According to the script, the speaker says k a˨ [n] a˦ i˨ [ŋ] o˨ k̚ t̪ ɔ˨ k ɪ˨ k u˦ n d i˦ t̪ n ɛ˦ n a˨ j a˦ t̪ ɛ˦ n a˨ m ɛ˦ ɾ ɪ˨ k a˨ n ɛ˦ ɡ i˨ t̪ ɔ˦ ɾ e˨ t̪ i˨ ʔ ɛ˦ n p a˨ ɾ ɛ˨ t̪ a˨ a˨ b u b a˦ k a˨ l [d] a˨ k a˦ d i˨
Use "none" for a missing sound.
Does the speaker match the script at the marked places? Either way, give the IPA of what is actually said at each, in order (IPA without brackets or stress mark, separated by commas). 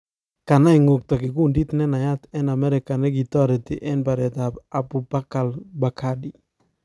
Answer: n, ŋ, b